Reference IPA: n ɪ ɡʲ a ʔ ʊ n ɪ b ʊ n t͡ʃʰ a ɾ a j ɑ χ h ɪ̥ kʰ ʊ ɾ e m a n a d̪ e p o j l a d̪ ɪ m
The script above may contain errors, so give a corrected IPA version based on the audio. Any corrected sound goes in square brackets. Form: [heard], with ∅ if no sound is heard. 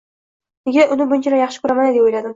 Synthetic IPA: n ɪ ɡʲ a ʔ ʊ n ɪ b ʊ n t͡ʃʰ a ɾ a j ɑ χ [ʃ] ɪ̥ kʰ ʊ ɾ [a] m a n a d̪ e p o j l a d̪ ɪ m